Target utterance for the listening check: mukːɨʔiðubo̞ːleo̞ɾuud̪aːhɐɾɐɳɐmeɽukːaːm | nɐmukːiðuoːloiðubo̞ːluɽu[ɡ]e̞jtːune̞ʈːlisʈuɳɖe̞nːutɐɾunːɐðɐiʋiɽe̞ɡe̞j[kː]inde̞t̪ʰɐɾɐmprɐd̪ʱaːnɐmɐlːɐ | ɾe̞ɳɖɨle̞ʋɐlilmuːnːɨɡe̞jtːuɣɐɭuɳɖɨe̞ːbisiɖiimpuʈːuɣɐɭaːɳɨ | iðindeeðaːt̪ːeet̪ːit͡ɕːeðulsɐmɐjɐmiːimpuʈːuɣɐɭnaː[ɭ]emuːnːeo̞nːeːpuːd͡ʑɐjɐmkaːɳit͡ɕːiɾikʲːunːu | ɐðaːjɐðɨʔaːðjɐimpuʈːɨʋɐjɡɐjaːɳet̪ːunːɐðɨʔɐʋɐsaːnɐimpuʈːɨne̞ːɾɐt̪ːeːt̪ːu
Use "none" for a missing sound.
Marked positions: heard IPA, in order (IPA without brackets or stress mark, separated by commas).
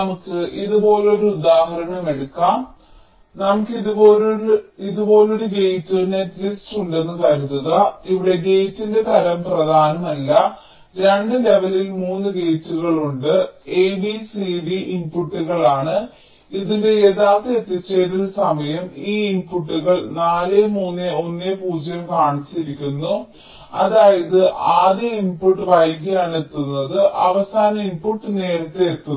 ɡ, tː, l